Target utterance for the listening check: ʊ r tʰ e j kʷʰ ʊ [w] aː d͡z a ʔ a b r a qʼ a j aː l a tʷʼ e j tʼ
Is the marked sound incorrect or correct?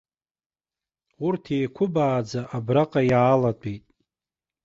incorrect